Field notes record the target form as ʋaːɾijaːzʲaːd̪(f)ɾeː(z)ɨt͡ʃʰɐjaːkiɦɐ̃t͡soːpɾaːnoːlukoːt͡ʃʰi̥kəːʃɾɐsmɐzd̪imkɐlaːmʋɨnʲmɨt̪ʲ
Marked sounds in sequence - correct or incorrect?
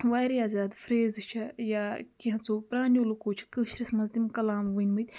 correct, correct

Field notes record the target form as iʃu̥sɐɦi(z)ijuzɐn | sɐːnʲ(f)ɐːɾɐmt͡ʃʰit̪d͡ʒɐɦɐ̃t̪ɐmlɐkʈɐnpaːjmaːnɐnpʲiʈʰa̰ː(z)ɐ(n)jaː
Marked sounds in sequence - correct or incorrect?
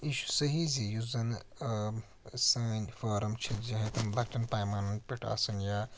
correct, correct, incorrect: s, correct

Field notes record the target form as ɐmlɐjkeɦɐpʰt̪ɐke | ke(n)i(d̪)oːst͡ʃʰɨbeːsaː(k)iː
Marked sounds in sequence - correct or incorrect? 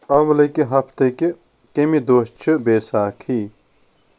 incorrect: m, correct, incorrect: kʰ

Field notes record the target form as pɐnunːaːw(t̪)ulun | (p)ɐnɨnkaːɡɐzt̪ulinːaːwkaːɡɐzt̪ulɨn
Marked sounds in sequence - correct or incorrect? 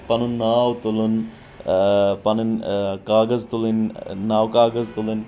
correct, correct

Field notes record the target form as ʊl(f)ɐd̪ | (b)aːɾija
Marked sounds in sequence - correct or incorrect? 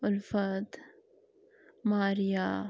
correct, incorrect: m

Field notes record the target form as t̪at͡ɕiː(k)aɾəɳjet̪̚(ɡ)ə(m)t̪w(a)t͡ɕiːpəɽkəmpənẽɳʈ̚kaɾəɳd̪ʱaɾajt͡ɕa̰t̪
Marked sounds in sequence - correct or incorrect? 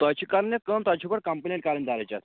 correct, incorrect: k, correct, correct

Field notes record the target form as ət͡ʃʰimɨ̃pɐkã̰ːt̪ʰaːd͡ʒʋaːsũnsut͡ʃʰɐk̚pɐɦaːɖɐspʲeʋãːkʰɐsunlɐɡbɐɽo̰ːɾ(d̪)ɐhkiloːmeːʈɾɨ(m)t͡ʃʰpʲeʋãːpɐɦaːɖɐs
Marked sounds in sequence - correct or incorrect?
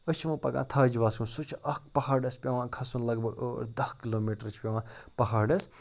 correct, incorrect: none

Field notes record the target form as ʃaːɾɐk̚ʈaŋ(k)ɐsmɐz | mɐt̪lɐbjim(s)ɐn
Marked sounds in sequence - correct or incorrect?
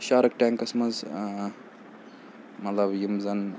correct, incorrect: z

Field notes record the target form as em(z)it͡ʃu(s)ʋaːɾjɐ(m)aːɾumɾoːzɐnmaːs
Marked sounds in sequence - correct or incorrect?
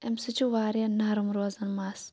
incorrect: s, incorrect: none, incorrect: n

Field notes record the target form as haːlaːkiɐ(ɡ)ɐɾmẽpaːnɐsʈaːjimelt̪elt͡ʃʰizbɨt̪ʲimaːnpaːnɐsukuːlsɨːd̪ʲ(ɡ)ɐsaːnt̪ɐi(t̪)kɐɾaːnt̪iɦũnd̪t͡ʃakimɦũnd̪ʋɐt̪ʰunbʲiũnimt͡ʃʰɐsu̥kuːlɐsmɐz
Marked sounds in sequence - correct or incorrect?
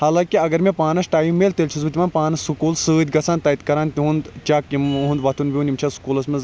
correct, correct, correct

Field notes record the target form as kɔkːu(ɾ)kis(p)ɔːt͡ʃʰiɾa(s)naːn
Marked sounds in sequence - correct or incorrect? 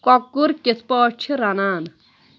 correct, correct, incorrect: none

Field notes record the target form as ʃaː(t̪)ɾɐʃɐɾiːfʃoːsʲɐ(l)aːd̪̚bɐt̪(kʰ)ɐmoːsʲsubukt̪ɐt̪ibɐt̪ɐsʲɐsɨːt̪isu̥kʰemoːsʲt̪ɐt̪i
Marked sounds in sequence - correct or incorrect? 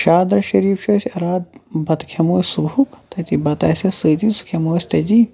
incorrect: d̪, incorrect: ɾ, correct

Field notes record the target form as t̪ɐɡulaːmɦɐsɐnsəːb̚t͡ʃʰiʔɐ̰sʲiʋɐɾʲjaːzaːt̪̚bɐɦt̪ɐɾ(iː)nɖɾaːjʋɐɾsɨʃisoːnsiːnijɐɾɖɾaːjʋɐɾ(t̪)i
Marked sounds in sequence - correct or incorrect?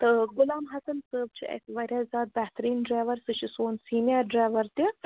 correct, correct

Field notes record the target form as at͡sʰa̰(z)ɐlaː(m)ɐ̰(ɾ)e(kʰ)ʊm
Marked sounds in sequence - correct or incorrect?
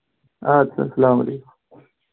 incorrect: s, correct, incorrect: l, incorrect: k

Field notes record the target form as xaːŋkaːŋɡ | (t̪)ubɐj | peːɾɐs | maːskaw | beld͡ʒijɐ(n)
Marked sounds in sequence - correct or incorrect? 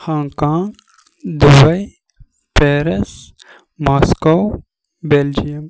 incorrect: d̪, incorrect: m

